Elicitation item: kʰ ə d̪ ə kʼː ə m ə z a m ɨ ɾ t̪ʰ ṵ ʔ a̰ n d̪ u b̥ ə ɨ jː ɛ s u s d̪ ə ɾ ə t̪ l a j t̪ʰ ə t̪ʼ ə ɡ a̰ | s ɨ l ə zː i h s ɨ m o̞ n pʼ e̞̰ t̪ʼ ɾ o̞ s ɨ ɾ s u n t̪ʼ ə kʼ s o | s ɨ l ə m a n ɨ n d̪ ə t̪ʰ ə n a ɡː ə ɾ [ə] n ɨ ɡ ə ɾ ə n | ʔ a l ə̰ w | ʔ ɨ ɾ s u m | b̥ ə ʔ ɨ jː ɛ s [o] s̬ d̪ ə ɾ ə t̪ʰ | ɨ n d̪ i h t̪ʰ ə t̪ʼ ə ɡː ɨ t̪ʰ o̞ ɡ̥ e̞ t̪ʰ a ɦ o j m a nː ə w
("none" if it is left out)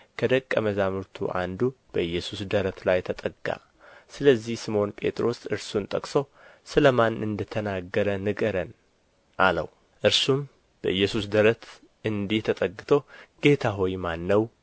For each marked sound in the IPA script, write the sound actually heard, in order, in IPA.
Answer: ə, u

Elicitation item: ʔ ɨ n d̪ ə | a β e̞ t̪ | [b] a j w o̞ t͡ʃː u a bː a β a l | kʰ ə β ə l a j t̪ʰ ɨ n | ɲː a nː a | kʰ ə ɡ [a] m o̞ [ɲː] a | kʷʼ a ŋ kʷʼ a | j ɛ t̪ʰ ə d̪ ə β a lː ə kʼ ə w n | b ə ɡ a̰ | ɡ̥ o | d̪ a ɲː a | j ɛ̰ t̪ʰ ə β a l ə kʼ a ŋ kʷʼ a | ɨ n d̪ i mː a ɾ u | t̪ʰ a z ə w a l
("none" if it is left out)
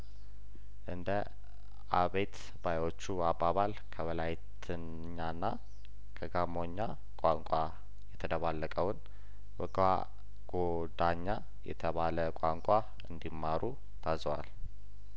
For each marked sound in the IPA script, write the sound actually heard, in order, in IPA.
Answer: b, a, ɲː

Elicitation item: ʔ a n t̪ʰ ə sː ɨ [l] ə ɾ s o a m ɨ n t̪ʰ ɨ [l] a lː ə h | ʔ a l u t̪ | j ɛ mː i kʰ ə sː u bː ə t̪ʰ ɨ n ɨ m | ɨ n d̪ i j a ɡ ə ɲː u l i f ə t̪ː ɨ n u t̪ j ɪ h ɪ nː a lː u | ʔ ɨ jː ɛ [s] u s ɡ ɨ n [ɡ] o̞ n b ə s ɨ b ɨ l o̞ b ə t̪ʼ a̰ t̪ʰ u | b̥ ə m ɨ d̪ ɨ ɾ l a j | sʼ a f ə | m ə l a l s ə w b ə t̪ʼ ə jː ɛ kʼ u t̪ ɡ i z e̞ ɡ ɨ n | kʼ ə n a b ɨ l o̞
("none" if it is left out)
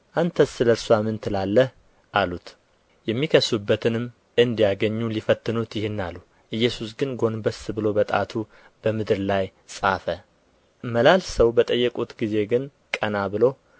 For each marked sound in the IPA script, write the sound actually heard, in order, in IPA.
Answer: l, l, s, ɡ

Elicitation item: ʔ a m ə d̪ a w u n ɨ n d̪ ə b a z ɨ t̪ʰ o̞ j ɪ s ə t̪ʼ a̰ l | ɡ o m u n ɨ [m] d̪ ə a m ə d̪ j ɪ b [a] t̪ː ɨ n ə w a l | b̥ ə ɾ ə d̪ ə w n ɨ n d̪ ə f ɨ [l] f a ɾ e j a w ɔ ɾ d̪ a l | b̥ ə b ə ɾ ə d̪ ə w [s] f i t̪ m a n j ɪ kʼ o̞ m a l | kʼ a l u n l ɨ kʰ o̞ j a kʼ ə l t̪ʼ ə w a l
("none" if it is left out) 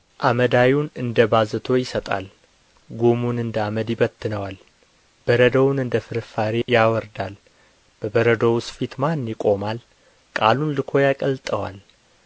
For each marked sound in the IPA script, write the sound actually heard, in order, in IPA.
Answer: n, ə, ɾ, s

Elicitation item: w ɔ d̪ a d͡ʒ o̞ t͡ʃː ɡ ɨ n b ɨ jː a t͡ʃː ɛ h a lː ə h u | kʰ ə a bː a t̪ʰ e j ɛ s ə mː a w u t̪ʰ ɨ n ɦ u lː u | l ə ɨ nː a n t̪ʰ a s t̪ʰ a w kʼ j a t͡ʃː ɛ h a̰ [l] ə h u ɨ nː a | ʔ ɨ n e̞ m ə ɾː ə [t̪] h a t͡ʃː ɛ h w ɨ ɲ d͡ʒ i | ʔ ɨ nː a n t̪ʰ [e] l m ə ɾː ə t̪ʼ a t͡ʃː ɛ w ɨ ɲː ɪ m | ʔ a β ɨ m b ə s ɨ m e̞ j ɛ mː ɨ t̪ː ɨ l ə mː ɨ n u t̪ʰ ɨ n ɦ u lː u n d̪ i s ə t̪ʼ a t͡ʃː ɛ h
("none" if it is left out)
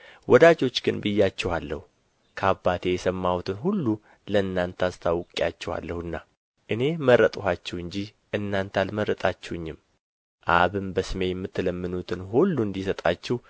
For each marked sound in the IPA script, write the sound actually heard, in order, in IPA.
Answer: lː, t̪ʼ, a

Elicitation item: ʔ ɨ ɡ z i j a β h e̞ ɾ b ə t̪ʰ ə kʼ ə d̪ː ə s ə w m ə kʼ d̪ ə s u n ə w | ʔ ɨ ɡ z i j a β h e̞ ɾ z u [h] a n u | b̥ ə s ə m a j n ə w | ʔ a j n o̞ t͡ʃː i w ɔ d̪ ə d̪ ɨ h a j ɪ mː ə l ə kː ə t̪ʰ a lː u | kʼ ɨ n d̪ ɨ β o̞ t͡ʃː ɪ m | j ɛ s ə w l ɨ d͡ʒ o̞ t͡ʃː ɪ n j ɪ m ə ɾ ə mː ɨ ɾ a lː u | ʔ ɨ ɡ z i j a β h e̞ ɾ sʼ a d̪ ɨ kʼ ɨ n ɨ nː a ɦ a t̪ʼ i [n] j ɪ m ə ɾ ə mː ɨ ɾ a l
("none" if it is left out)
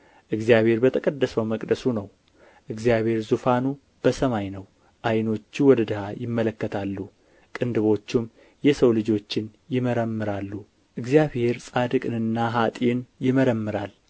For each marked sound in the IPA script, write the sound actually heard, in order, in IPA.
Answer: f, n

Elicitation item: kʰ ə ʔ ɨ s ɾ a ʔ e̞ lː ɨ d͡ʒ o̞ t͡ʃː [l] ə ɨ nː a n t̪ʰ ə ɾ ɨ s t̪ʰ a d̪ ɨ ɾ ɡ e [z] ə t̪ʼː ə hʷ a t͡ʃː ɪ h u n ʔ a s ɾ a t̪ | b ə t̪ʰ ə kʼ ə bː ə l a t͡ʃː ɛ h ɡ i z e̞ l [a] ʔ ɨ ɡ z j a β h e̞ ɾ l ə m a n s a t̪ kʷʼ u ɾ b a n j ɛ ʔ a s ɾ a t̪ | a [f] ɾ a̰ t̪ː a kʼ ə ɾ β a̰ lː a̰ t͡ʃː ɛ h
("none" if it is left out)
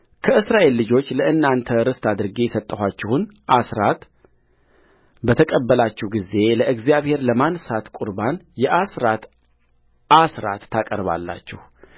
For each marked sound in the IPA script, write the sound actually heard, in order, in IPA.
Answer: l, s, ə, s

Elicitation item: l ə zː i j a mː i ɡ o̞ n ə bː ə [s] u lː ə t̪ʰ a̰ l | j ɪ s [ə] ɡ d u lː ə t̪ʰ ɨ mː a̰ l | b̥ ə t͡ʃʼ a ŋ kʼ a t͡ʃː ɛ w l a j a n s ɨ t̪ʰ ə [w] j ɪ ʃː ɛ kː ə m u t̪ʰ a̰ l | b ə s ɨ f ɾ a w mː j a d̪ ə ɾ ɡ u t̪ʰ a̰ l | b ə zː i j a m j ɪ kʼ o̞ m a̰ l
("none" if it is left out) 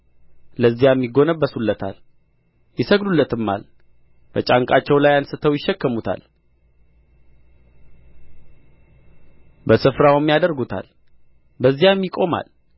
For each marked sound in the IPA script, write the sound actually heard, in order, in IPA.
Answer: s, ə, w

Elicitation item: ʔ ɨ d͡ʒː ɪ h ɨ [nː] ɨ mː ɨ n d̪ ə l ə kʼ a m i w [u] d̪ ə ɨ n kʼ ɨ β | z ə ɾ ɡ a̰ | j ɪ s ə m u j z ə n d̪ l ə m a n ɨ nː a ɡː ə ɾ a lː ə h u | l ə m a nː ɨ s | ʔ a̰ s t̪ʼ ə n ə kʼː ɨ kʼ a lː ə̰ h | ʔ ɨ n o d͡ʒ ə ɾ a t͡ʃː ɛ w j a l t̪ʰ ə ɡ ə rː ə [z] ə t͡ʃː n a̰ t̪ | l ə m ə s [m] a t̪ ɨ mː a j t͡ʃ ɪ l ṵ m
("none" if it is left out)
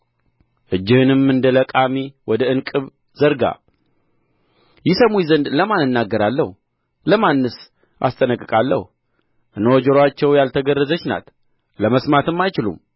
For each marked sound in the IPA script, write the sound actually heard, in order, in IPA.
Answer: n, ɔ, z, m

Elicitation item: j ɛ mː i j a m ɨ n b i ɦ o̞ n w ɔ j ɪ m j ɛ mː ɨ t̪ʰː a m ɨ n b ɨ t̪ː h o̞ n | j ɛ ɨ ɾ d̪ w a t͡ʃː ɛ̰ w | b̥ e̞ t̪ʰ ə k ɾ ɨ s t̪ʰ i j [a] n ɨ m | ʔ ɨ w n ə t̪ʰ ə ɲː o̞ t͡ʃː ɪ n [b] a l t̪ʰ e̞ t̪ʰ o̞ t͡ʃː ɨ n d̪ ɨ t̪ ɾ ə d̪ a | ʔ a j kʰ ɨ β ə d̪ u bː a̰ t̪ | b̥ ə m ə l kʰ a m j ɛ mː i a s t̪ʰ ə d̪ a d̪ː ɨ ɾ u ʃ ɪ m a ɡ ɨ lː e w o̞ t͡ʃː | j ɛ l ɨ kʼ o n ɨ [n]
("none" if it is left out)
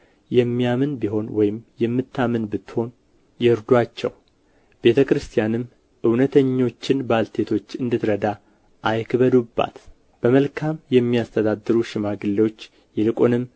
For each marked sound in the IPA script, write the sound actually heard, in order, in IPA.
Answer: a, b, m

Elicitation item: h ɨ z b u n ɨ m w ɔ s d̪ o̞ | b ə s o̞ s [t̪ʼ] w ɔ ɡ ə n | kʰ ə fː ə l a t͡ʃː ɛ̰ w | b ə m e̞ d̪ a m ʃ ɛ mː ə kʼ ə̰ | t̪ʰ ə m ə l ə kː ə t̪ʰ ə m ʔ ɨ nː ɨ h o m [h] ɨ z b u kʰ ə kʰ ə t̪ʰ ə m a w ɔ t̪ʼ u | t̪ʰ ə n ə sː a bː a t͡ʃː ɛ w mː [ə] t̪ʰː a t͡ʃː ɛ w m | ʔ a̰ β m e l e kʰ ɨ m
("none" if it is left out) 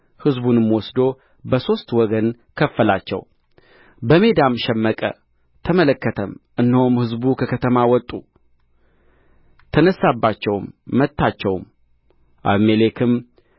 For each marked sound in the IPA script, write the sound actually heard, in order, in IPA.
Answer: t̪, h, ə

